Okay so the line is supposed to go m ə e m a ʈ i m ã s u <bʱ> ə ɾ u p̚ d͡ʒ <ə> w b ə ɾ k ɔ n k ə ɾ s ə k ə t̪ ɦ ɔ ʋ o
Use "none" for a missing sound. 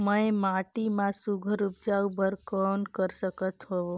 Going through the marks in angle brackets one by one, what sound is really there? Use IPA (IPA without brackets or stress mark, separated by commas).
ɡʱ, a